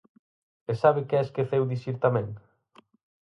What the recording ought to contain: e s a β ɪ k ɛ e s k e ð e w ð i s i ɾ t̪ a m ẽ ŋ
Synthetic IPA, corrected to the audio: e s a β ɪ k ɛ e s k e θ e w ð i s i ɾ t̪ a m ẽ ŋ